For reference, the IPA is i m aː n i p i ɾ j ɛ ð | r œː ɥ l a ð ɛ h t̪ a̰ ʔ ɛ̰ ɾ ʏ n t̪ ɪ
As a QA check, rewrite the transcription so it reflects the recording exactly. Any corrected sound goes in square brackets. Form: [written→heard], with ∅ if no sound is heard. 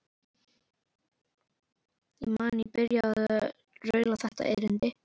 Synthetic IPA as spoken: i m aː n i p [i→ɪ] ɾ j [ɛ→a] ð | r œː ɥ l a [ð→θ] ɛ h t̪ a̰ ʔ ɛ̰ ɾ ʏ n t̪ ɪ